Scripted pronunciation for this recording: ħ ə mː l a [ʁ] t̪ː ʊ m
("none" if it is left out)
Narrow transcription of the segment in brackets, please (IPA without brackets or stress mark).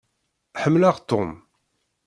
ʁ